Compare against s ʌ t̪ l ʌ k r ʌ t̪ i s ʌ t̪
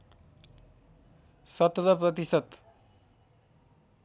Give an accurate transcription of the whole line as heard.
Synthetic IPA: s ʌ t̪ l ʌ p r ʌ t̪ i s ʌ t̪